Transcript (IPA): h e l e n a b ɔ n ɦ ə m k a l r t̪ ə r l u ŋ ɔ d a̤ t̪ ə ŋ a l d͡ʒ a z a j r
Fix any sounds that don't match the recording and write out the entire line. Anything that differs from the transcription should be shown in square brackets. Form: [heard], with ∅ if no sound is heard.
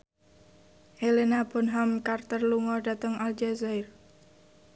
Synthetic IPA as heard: h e l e n a b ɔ n ɦ [a] m k a [∅] r t̪ ə r l u ŋ ɔ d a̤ t̪ ə ŋ a l d͡ʒ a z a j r